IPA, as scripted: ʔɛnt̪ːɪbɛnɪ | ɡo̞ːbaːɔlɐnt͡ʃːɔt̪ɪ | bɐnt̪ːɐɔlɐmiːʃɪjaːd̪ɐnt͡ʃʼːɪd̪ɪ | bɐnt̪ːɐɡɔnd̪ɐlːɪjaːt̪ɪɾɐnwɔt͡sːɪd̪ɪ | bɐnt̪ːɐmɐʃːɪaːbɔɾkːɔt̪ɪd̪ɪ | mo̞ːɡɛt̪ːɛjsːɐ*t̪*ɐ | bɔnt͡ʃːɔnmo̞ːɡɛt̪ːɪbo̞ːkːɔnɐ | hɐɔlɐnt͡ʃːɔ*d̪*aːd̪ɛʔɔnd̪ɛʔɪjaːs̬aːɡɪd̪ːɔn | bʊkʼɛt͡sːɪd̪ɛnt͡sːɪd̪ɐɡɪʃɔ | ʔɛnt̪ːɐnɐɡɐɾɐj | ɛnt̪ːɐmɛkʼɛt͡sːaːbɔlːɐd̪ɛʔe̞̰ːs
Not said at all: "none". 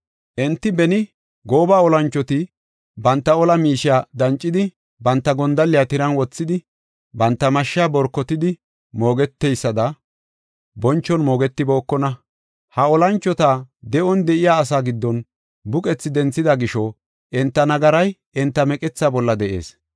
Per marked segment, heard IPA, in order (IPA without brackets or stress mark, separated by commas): d̪, t̪